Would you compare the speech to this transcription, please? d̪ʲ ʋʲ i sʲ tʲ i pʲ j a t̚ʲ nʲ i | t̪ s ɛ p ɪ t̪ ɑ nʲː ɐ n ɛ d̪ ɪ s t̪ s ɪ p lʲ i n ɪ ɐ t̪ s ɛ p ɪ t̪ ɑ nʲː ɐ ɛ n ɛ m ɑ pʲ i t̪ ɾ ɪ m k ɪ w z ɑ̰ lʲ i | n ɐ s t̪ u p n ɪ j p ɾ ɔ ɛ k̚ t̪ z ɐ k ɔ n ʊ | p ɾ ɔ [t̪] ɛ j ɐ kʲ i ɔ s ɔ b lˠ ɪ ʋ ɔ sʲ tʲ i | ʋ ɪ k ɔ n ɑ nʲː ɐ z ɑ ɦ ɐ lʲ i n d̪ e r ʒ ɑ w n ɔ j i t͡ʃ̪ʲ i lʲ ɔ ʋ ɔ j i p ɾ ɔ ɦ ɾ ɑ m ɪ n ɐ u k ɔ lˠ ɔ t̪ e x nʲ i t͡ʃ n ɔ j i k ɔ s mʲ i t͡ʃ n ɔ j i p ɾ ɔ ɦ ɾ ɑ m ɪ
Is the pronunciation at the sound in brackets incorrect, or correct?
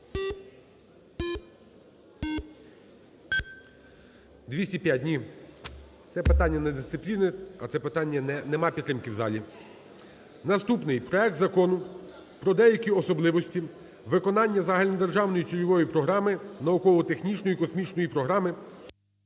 incorrect